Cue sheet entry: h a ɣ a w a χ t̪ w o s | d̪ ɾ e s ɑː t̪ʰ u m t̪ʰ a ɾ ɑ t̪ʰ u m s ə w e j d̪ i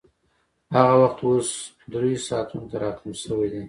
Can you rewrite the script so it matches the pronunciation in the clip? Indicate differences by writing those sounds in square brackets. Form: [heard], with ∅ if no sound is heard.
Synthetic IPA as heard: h a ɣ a w a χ t̪ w o s | d̪ ɾ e s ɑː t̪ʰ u [n] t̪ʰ a ɾ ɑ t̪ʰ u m s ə w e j d̪ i